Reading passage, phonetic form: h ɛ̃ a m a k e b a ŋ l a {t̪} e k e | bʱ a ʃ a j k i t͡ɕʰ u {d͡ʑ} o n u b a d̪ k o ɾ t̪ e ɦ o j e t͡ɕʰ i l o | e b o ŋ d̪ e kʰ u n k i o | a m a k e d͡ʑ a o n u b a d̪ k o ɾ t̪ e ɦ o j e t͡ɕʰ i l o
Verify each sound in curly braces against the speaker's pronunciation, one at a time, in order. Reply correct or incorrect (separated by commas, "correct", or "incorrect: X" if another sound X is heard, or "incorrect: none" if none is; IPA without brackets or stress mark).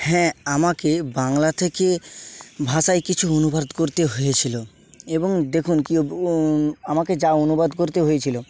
incorrect: t̪ʰ, incorrect: none